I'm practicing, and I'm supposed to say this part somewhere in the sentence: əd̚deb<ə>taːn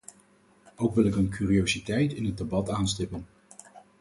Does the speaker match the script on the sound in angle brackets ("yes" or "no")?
no